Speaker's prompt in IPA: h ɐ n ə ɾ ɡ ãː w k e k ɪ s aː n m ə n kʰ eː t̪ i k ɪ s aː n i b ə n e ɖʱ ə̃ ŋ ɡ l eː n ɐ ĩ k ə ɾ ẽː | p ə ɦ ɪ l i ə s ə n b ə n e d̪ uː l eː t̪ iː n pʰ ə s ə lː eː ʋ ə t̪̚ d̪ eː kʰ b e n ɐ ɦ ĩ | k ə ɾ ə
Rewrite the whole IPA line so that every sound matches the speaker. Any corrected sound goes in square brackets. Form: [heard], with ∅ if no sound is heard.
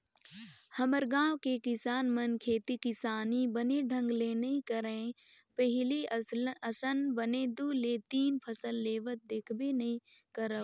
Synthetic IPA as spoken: h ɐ [m] ə ɾ ɡ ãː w k e k ɪ s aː n m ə n kʰ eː t̪ i k ɪ s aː n i b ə n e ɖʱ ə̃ ŋ ɡ l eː n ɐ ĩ k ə ɾ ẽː | p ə ɦ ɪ l i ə s ə n b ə n e d̪ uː l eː t̪ iː n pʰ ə s ə lː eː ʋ ə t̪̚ d̪ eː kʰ b e n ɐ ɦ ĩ | k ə ɾ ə